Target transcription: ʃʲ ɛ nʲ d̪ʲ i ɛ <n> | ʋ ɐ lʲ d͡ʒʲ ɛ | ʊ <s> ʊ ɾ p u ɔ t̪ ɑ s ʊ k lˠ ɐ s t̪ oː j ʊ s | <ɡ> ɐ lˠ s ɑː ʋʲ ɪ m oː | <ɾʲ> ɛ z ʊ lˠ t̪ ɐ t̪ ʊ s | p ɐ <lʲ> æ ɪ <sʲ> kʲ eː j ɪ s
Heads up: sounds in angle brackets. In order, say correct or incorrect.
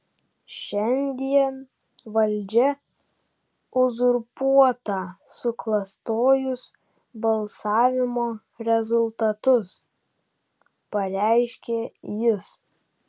correct, incorrect: z, incorrect: b, correct, incorrect: ɾʲ, incorrect: ʃʲ

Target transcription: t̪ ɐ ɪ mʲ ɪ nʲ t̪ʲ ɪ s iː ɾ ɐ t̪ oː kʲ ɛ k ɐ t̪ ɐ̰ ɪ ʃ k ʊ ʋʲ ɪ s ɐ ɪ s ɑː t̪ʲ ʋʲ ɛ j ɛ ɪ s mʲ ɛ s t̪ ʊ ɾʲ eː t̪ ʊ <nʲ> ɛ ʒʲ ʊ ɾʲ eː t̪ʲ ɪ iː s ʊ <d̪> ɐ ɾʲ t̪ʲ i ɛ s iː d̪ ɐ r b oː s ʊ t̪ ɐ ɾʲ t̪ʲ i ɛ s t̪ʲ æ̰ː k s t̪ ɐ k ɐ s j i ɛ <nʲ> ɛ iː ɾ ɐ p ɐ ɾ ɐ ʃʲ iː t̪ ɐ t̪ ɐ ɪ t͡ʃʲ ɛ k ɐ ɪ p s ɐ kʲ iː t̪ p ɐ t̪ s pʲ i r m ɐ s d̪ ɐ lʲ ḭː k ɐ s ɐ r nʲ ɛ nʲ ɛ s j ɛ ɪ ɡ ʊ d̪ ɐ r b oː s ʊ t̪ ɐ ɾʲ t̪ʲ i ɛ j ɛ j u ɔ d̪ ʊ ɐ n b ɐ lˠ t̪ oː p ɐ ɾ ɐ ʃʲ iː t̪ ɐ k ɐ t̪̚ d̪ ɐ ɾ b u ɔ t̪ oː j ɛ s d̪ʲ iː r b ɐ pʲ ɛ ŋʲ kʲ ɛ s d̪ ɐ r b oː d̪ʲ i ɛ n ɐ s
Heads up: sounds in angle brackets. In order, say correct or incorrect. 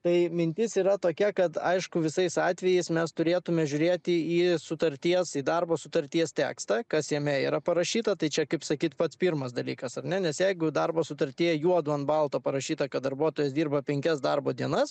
incorrect: mʲ, incorrect: t̪, incorrect: mʲ

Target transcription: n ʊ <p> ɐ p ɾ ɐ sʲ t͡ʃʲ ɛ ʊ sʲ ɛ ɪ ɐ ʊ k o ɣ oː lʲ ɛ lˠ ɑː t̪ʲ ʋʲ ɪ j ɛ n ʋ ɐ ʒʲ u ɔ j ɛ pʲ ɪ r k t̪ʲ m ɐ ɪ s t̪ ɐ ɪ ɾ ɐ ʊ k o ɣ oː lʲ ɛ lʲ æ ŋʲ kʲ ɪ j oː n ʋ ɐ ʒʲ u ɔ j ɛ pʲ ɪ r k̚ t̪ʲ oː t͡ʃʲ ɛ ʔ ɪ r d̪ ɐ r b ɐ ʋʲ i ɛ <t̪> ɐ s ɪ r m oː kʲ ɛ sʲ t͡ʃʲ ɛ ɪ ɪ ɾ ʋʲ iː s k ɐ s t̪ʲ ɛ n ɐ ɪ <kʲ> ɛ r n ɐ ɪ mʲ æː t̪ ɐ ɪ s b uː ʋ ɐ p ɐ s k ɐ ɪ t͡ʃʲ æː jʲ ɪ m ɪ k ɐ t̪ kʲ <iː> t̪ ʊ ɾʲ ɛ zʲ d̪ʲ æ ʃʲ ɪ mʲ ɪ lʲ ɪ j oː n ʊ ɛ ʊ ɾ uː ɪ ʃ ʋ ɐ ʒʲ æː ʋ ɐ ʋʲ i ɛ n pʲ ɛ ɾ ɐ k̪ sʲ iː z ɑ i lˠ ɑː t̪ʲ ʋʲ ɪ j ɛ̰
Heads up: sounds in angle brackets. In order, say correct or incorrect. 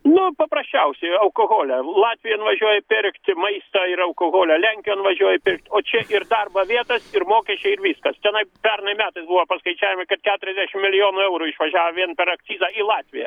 correct, correct, incorrect: pʲ, incorrect: æː

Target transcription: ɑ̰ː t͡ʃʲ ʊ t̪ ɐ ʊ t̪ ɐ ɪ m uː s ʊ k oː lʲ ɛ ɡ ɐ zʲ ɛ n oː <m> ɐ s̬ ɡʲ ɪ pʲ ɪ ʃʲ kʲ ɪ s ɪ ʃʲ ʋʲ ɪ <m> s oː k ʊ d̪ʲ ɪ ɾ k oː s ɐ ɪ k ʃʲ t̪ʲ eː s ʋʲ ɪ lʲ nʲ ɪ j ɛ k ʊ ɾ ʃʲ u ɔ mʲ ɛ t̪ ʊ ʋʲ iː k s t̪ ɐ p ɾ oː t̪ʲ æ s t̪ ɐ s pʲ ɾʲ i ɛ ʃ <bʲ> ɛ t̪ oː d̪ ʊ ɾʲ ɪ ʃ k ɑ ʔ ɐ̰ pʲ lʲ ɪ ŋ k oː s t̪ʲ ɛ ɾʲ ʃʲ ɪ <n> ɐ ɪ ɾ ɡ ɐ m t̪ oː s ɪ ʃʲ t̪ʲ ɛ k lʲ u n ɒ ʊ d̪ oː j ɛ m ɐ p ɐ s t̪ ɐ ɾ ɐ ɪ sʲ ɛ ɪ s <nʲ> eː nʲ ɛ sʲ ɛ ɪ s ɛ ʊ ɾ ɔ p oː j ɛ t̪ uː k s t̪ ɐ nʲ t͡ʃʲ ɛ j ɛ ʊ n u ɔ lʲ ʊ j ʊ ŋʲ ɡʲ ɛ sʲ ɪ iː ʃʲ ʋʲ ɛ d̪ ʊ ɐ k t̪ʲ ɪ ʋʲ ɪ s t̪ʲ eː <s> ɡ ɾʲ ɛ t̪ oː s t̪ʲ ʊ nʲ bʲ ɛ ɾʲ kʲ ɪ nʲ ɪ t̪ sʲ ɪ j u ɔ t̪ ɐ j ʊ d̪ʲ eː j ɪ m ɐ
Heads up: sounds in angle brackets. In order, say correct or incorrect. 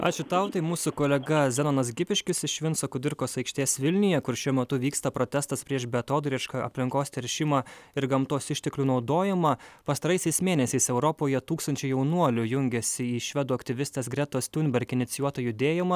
incorrect: n, incorrect: n, correct, incorrect: m, incorrect: mʲ, correct

